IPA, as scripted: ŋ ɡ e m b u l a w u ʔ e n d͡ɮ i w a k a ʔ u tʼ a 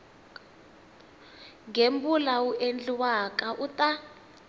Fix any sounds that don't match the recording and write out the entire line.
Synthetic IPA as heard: ŋ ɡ e m b u l a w u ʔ e n d͡ɮ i w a k a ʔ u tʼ a

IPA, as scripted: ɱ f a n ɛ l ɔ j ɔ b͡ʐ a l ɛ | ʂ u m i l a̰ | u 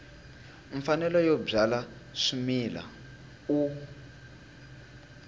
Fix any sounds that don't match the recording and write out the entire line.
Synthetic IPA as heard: ɱ f a n ɛ l ɔ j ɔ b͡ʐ a l a | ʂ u m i l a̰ | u

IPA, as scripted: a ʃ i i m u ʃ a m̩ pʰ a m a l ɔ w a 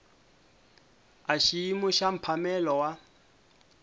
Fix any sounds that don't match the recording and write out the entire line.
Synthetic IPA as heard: a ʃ i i m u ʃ a m̩ pʰ a m ɛ l ɔ w a

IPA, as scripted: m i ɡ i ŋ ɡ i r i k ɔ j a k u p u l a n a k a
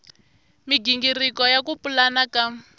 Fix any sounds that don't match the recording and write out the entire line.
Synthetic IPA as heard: m i ɡ i ŋ ɡ i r i k ɔ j a k u p u l a n a k a

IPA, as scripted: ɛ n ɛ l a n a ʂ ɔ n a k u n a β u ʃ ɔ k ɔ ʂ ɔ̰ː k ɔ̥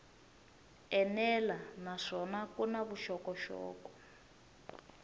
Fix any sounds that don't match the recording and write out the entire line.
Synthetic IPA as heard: ɛ n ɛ l a n a ʂ ɔ n a k u n a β u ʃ ɔ k ɔ ʃ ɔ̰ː k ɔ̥

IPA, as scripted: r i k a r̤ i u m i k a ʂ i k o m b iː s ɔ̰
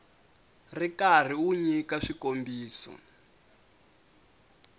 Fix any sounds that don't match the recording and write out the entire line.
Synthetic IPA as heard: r i k a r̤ i u ɲ i k a ʂ i k o m b iː s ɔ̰

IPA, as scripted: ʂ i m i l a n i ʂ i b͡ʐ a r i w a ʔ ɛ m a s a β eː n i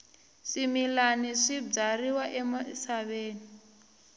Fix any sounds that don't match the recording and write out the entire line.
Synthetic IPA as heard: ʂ i m i l a n i ʂ i b͡ʐ a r i w a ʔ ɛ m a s a β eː n i

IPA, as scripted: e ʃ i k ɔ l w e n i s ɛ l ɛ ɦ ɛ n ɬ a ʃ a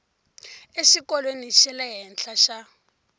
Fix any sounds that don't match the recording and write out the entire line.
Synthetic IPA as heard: e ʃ i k ɔ l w e n i ʃ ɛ l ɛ ɦ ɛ n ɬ a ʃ a

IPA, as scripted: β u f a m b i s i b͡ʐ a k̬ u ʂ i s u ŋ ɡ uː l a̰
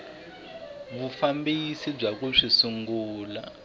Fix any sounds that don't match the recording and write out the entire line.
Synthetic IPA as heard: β u f a m b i s i b͡ʐ a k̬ u ʂ i s u ŋ ɡ uː l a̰

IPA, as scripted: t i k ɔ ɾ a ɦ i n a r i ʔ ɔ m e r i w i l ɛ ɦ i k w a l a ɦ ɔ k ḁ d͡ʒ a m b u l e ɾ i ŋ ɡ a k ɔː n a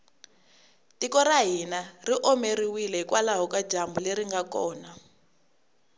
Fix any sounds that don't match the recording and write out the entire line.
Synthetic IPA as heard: t i k ɔ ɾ a ɦ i n a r i ʔ ɔ m e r i w i l ɛ ɦ i k w a l a ɦ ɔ k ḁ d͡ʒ a m b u l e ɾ i ŋ ɡ a k ɔː n a

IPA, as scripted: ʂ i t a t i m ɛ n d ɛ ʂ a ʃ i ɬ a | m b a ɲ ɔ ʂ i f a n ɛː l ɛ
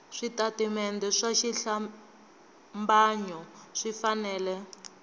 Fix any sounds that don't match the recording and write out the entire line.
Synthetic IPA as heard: ʂ i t a t i m ɛ n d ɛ ʂ a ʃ i ɬ a | m b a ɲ ɔ ʂ i f a n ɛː l ɛ

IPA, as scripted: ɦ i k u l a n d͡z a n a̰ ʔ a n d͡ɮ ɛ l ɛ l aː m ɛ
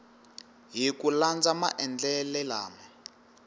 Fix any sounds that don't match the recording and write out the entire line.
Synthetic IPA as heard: ɦ i k u l a n d͡z a m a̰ ʔ ɛ n d͡ɮ ɛ l ɛ l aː m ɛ

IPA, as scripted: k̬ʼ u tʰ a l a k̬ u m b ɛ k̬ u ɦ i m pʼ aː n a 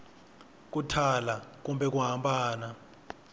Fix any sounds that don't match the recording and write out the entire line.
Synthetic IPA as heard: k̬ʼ u tʰ a l a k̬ u m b ɛ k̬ u ɦ a m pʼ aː n a

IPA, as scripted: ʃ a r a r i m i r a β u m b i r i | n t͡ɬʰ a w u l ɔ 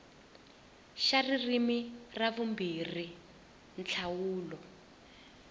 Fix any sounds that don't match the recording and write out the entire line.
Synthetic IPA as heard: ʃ a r i r i m i r a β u m b i r i | n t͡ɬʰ a w uː l ɔ

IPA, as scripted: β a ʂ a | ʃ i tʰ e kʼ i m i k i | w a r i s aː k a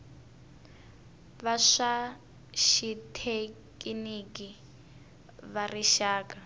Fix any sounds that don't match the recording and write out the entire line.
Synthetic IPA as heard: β a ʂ a | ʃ i tʰ e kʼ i n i k i | β a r i ʃ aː k a

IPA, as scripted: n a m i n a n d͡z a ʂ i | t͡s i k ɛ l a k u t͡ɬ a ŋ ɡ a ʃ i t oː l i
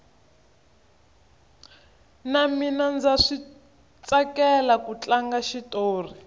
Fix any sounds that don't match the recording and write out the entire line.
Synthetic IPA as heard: n a m i n a n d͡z a ʂ i | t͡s a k ɛ l a k u t͡ɬ a ŋ ɡ a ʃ i t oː r i

